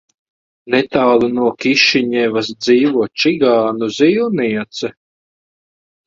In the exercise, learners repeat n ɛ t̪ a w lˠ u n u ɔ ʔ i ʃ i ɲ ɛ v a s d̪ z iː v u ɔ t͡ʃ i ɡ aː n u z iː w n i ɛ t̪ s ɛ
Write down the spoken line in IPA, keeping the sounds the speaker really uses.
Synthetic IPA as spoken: n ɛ t̪ a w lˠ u n u ɔ k i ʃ i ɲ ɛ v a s d̪ z iː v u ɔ t͡ʃ i ɡ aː n u z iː w n i ɛ t̪ s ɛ